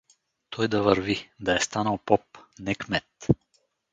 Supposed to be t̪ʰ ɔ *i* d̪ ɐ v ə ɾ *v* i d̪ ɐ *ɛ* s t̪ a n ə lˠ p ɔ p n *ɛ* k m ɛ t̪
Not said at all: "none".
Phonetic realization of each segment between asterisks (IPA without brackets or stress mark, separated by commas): j, v, ɛ, ɛ